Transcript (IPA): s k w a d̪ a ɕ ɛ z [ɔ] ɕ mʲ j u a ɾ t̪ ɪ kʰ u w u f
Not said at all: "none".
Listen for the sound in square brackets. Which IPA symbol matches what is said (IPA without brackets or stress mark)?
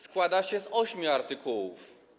ɔ